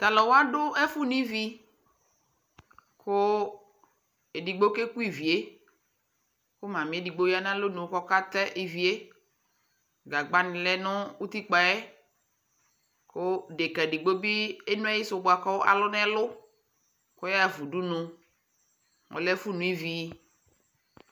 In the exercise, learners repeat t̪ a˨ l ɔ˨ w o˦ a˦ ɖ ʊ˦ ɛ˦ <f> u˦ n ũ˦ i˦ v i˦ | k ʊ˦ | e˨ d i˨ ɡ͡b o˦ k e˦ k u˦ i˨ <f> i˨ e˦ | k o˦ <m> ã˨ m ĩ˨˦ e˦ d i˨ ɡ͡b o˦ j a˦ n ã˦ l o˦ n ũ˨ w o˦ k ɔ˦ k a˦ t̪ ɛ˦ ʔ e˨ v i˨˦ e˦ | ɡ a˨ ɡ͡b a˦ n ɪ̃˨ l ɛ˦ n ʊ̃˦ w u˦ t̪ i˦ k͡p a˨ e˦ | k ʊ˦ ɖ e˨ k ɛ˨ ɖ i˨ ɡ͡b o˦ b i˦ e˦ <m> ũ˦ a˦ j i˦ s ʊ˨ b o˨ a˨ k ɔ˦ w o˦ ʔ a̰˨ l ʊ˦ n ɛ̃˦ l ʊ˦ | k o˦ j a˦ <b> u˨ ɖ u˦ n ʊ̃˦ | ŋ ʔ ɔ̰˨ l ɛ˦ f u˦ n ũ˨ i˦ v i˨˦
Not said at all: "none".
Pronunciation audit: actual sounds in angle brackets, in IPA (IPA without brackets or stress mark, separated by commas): f, v, m, n, v